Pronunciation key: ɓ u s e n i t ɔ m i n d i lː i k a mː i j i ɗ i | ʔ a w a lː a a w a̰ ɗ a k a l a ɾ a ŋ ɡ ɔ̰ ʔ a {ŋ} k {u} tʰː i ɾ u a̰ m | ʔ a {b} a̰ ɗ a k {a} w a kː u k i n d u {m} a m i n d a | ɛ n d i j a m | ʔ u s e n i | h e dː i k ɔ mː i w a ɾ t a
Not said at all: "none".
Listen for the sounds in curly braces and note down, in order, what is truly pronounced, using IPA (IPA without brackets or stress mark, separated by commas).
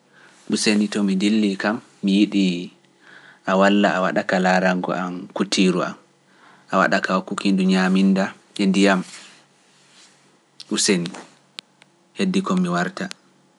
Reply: m, u, w, a, ɲ